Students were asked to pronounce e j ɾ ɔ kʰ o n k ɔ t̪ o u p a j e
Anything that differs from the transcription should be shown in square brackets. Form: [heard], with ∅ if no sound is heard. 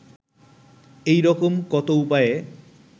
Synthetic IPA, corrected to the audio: e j ɾ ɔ [k] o [m] k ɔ t̪ o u p a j e